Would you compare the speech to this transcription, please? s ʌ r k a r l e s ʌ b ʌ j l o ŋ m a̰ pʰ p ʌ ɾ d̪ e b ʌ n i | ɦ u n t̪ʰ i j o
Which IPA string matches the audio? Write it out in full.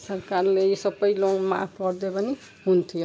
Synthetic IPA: s ʌ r k a r l e s ʌ b ʌ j l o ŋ m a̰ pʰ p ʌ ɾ d̪ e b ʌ n i | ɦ u n t̪ʰ i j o